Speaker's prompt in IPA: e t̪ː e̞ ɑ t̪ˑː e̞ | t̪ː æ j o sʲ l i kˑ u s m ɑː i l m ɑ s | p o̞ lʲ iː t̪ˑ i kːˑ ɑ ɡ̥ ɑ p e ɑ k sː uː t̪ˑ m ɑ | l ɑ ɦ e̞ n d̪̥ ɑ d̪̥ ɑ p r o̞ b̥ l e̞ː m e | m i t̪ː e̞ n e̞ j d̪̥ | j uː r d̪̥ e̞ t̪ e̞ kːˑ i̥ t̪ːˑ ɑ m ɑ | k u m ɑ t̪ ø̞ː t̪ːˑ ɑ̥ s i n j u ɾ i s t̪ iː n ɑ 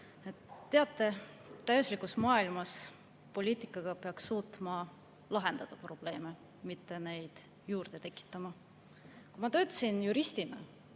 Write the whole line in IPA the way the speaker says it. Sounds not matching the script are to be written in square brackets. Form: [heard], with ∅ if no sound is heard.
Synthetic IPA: e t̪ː e̞ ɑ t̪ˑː e̞ | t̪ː æ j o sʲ l i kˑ u s m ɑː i l m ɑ s | p o̞ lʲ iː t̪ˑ i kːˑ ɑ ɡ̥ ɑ p e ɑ k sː uː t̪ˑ m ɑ | l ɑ ɦ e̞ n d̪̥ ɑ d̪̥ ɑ p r o̞ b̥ l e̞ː m e | m i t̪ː e̞ n e̞ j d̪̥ | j uː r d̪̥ e̞ t̪ e̞ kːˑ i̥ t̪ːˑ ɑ m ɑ | k u m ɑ t̪ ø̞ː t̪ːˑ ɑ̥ s i n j u ɾ i s t̪ [i] n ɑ